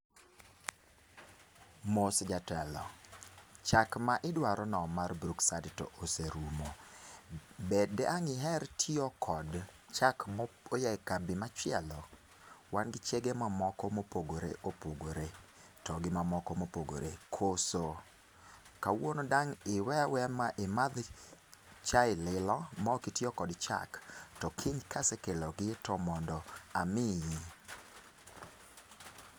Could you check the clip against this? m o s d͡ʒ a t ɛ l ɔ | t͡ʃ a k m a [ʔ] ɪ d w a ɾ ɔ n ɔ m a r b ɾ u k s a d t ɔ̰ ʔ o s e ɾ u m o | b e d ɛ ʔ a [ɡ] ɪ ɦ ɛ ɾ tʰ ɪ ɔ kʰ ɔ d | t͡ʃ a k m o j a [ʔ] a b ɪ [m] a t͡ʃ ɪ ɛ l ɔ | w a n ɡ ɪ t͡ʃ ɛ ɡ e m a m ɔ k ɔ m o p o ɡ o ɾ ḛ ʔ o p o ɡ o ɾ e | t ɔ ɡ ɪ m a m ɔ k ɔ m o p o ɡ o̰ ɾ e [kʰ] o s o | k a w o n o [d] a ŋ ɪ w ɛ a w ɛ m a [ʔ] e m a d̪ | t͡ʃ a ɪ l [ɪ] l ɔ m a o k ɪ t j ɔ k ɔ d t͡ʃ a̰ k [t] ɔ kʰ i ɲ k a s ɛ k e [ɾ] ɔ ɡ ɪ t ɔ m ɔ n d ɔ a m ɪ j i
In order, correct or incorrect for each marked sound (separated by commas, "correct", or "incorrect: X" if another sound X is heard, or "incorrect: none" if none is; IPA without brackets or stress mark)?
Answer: correct, incorrect: ŋ, incorrect: k, correct, correct, correct, correct, correct, correct, incorrect: l